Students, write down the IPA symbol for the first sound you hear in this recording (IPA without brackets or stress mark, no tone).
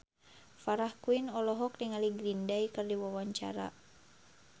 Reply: f